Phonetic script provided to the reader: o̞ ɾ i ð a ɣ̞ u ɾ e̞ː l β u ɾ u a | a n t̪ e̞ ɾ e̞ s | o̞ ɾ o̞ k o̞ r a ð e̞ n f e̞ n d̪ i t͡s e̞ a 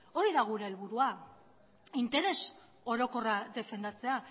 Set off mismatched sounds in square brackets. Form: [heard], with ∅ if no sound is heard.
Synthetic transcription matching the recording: o̞ ɾ i ð a ɣ̞ u ɾ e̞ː l β u ɾ u a | [i] n t̪ e̞ ɾ e̞ s | o̞ ɾ o̞ k o̞ r a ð e̞ [∅] f e̞ n d̪ [a] t͡s e̞ a